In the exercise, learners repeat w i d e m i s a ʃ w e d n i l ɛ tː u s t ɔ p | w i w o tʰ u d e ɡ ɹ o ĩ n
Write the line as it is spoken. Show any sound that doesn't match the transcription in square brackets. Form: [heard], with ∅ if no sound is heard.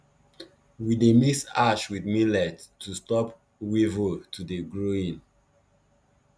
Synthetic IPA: w i d e m i s a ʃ w [i] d [m] i l ɛ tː u s t ɔ p | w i [v] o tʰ u d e ɡ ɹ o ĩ n